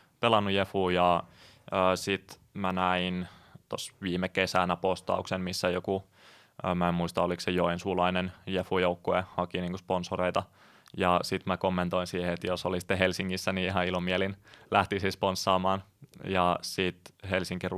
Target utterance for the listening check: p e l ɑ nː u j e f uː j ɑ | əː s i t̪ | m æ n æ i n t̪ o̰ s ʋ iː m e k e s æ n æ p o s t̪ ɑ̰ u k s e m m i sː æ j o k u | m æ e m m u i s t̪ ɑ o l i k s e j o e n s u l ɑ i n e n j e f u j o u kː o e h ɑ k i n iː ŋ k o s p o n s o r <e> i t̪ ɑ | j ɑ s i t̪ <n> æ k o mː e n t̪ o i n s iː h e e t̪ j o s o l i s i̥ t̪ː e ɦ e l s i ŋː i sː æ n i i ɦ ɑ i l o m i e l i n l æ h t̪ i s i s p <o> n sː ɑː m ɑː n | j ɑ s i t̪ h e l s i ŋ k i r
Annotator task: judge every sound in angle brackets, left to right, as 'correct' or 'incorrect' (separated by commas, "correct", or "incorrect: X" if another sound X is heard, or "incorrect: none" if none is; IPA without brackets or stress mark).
correct, incorrect: m, correct